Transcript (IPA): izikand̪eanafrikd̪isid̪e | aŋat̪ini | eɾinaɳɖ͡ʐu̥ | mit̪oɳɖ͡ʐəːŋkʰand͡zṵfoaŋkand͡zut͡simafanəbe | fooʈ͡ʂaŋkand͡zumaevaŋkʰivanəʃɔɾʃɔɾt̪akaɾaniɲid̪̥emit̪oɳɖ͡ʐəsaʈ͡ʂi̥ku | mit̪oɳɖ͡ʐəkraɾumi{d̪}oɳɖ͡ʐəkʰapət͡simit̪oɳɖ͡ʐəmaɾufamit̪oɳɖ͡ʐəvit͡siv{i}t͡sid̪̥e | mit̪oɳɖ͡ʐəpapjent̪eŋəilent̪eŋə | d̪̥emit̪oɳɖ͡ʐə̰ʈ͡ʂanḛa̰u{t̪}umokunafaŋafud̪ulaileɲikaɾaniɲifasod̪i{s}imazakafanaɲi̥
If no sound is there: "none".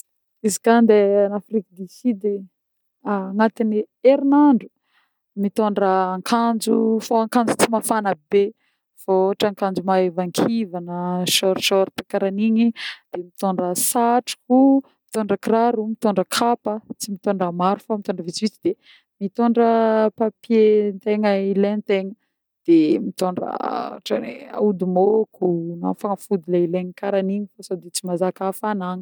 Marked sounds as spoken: t̪, i, d̪, t͡s

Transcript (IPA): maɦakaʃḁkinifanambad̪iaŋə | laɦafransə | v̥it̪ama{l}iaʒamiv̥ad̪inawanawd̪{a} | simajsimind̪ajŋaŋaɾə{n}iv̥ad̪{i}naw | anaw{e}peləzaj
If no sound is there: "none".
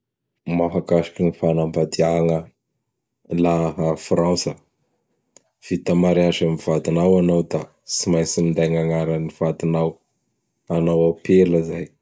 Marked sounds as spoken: ɾ, a, n, i, a

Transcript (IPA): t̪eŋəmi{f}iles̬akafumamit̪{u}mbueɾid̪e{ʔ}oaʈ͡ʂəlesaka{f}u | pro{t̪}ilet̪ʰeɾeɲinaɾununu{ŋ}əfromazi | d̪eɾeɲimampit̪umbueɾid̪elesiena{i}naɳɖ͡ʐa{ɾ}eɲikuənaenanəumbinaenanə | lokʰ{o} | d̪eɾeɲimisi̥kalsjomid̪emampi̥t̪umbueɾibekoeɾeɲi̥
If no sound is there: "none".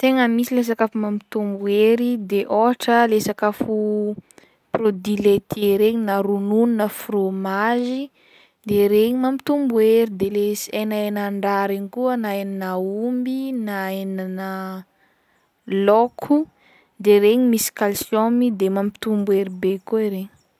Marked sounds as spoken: s, u, ʔ, f, d̪, n, e, ɾ, u

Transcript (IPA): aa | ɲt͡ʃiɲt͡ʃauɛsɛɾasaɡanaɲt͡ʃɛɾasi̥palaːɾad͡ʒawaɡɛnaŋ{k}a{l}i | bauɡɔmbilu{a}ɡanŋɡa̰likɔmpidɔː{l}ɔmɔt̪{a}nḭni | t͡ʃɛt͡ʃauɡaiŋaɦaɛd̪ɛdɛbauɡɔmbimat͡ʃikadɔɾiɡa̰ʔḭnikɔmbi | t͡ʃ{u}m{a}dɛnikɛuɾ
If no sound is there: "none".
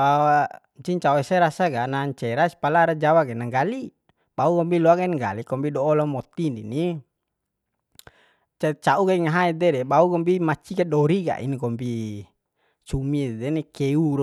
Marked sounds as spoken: ɡ, l, a, l, i, u, i

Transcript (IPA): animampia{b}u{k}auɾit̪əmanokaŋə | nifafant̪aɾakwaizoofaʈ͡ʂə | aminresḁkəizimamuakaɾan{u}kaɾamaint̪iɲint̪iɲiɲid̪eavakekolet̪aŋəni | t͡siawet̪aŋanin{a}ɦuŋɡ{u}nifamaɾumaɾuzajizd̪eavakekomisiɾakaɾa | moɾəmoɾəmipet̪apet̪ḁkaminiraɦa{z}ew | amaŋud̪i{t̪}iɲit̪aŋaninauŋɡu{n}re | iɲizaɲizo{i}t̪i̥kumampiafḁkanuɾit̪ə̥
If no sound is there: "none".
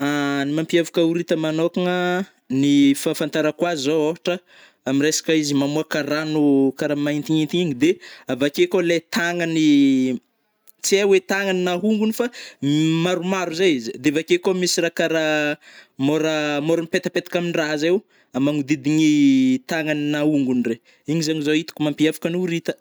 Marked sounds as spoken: v, k, u, a, u, z, d̪, n, i

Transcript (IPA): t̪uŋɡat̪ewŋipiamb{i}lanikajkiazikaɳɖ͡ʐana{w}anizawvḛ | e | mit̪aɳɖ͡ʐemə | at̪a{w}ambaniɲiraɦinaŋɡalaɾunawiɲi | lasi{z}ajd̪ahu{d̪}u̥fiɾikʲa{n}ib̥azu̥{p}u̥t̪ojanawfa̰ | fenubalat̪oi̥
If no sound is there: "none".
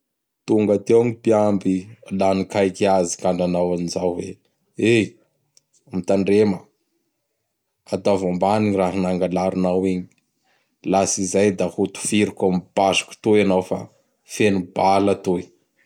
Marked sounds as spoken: i, w, v, z, t̪, m, k

